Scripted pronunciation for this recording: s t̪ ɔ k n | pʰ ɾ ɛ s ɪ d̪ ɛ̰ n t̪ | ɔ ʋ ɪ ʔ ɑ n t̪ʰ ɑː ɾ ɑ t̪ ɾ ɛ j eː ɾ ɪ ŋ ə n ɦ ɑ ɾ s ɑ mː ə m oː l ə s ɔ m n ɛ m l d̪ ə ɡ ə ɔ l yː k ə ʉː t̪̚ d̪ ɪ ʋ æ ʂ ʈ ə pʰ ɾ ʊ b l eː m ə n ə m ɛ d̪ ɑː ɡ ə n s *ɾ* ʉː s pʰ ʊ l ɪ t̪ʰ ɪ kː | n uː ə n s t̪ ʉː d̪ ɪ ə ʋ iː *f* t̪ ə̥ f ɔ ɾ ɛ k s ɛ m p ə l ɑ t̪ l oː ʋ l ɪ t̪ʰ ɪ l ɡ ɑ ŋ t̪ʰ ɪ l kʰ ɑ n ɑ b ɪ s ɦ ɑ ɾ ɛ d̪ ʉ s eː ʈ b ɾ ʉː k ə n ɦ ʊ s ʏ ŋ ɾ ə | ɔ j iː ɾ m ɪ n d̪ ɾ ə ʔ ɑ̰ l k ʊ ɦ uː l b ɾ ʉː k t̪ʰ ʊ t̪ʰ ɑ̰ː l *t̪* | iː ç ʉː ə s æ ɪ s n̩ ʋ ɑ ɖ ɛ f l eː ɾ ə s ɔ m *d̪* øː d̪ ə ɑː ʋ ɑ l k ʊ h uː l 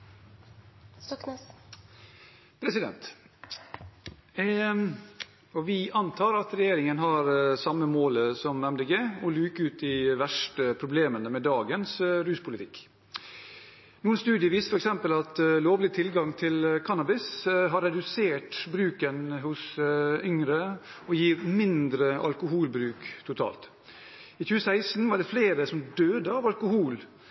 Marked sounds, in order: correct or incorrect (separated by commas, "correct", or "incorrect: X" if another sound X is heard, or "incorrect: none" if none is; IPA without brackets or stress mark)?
correct, incorrect: s, correct, correct